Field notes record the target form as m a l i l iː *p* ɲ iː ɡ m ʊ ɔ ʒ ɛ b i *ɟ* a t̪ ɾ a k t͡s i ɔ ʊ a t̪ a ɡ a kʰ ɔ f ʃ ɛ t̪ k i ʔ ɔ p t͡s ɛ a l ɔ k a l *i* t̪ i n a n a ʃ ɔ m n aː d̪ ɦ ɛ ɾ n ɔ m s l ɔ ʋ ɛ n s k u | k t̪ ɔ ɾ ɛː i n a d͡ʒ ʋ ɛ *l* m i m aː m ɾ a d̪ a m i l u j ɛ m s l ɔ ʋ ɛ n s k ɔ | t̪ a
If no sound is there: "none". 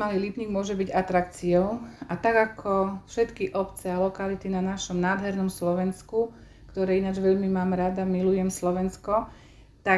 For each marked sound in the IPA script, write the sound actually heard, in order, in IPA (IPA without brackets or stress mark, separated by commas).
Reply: p, ɟ, i, ʎ